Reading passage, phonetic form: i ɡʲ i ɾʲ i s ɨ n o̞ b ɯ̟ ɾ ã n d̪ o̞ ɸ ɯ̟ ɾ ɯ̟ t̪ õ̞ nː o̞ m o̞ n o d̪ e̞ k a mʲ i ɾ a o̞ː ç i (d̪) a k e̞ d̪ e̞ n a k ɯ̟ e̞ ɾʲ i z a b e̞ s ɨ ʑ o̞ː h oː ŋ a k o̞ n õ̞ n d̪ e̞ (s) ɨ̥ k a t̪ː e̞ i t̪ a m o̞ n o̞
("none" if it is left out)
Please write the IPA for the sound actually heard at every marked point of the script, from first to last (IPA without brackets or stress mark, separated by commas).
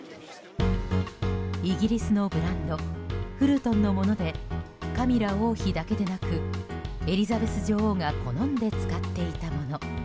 d̪, t͡s